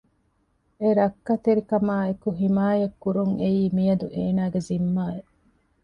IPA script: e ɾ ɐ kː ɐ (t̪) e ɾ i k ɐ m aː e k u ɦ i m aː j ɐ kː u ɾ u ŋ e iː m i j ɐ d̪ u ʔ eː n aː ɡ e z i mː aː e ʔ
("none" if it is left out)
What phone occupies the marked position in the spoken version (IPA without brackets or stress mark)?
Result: t̪